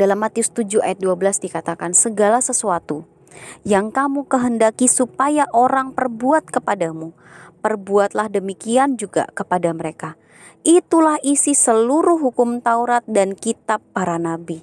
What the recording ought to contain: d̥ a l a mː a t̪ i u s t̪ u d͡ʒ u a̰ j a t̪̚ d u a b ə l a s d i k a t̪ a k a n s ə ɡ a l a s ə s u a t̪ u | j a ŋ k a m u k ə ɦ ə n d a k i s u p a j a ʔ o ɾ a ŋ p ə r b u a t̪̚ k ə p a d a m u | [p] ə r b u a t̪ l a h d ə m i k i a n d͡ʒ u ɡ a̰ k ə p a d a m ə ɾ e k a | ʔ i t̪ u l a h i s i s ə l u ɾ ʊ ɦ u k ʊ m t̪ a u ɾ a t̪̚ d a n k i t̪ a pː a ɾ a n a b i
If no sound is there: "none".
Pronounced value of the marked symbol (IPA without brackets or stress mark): p